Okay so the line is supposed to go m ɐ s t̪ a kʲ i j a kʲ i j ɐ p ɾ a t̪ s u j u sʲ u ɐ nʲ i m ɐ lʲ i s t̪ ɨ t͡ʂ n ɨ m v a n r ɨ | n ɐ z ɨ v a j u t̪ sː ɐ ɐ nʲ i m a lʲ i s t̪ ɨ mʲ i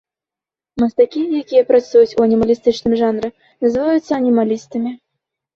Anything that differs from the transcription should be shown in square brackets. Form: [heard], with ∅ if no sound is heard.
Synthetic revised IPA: m ɐ s t̪ a kʲ i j a kʲ i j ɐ p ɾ a t̪ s u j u [t͡sʲ] u ɐ nʲ i m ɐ lʲ i s t̪ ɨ t͡ʂ n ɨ m [ʐ] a n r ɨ | n ɐ z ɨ v a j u t̪ sː ɐ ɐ nʲ i m a lʲ i s t̪ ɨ mʲ i

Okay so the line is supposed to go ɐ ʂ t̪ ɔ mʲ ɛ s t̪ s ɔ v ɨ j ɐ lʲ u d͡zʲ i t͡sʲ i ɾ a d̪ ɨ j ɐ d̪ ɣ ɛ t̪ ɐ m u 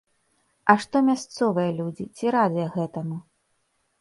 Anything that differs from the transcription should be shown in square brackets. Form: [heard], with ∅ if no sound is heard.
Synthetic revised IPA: ɐ ʂ t̪ ɔ mʲ [a] s t̪ s ɔ v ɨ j ɐ lʲ u d͡zʲ i t͡sʲ i ɾ a d̪ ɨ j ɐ [∅] ɣ ɛ t̪ ɐ m u

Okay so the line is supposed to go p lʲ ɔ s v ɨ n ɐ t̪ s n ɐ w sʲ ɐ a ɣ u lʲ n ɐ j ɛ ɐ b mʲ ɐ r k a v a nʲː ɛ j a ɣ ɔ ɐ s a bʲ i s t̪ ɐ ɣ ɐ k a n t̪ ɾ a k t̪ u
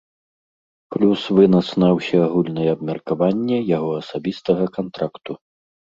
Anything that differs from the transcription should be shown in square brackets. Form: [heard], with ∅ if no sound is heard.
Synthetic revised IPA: p lʲ [u] s v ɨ n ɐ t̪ s n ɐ w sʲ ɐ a ɣ u lʲ n ɐ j ɛ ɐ b mʲ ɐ r k a v a nʲː ɛ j a ɣ ɔ ɐ s a bʲ i s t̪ ɐ ɣ ɐ k a n t̪ ɾ a k t̪ u

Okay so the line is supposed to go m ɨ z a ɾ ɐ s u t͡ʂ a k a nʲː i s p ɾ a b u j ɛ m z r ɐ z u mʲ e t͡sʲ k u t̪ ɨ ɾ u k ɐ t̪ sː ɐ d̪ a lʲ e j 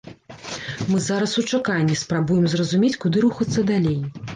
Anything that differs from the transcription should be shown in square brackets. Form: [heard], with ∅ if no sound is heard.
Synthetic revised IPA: m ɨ z a ɾ ɐ s u t͡ʂ a k a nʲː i s p ɾ a b u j ɛ m z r ɐ z u mʲ e t͡sʲ k u [d̪] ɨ ɾ u [x] ɐ t̪ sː ɐ d̪ a lʲ e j

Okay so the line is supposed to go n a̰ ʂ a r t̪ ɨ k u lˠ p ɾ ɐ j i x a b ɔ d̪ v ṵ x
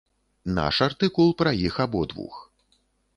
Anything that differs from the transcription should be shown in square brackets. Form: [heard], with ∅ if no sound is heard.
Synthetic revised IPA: n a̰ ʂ a r t̪ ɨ k u lˠ p ɾ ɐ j i x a b ɔ d̪ v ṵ x

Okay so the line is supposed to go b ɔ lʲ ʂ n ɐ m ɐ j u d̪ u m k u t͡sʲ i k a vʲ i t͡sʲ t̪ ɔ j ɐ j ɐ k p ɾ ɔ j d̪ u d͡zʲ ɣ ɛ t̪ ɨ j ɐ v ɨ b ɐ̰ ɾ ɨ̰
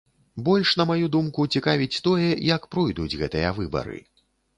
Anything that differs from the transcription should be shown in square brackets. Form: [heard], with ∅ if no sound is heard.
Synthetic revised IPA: b ɔ lʲ ʂ n ɐ m [a] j u d̪ u m k u t͡sʲ i k a vʲ i t͡sʲ t̪ ɔ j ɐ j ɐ k p ɾ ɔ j d̪ u d͡zʲ ɣ ɛ t̪ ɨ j ɐ v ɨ b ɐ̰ ɾ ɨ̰

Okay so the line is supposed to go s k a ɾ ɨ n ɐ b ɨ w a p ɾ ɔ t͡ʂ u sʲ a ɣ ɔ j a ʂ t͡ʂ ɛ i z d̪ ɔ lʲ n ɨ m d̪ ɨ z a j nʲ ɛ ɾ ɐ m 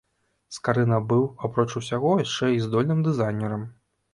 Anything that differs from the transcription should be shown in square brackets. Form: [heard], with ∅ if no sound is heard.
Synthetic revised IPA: s k a ɾ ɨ n ɐ b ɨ w a p ɾ ɔ t͡ʂ u sʲ a ɣ ɔ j a ʂ t͡ʂ ɛ i z d̪ ɔ lʲ n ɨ m d̪ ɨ z a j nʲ ɛ ɾ ɐ m

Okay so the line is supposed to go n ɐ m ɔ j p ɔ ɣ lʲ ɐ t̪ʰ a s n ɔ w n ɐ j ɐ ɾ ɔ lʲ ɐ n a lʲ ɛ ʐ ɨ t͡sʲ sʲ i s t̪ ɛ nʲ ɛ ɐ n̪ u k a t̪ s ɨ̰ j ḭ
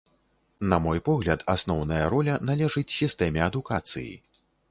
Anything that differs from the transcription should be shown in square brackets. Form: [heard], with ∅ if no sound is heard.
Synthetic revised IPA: n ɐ m ɔ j p ɔ ɣ lʲ ɐ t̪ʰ a s n ɔ w n ɐ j ɐ ɾ ɔ lʲ ɐ n a lʲ ɛ ʐ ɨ t͡sʲ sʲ i s t̪ ɛ [mʲ] ɛ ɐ [d̪] u k a t̪ s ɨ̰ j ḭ

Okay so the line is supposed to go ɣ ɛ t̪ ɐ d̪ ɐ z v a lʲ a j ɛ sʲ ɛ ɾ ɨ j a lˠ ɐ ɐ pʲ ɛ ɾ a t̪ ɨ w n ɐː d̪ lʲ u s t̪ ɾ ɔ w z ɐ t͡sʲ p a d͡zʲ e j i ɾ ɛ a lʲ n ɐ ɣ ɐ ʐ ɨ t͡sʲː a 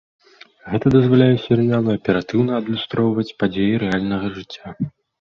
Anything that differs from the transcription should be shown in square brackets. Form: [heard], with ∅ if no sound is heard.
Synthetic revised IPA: ɣ ɛ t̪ ɐ d̪ ɐ z v a lʲ a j ɛ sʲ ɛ ɾ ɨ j a lˠ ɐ ɐ pʲ ɛ ɾ a t̪ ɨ w n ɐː d̪ lʲ u s t̪ ɾ ɔ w [v] ɐ t͡sʲ p a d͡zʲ e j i ɾ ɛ a lʲ n ɐ ɣ ɐ ʐ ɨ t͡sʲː a

